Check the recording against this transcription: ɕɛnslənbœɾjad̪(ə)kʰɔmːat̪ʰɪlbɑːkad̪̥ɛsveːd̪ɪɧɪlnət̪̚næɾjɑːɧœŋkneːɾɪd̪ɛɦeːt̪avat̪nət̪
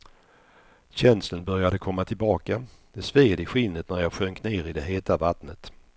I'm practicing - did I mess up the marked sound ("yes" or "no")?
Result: no